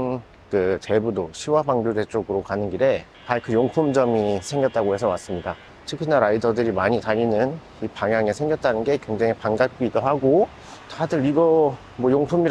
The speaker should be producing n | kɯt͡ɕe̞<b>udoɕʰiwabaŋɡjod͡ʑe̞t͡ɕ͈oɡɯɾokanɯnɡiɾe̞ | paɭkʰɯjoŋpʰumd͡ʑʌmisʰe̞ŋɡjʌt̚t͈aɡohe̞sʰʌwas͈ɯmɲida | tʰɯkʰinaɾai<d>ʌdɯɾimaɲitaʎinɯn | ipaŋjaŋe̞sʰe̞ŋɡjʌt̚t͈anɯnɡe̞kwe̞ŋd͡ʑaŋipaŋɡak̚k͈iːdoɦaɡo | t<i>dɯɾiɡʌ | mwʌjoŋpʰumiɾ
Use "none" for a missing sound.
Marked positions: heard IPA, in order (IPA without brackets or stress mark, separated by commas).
b, d, a